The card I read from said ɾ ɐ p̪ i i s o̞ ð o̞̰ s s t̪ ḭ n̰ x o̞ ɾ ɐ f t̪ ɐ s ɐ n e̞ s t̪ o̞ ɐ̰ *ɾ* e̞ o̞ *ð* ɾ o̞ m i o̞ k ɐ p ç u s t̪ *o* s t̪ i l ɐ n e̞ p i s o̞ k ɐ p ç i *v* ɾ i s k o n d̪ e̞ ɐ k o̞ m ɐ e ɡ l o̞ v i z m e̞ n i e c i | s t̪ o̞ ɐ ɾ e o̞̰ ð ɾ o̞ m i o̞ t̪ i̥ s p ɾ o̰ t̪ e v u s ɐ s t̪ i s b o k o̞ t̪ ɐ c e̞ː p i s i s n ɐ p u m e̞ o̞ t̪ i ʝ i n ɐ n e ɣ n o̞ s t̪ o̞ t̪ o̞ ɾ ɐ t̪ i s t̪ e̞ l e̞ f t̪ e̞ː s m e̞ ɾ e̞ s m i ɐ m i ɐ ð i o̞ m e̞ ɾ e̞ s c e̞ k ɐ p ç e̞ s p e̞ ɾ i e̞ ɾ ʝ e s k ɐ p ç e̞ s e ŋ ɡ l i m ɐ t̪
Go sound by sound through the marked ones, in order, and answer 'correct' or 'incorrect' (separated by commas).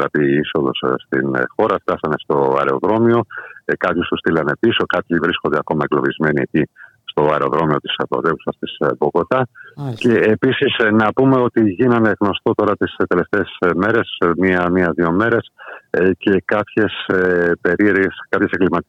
correct, correct, incorrect, correct